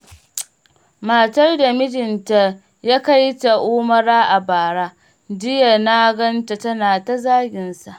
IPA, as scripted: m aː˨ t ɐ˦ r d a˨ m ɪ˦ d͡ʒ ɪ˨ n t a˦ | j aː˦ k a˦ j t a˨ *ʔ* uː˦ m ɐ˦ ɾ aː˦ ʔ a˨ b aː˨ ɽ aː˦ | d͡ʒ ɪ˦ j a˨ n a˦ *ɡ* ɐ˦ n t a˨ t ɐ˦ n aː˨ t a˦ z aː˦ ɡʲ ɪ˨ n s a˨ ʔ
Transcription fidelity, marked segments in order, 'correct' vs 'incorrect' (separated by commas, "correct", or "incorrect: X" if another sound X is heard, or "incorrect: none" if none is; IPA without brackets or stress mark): correct, correct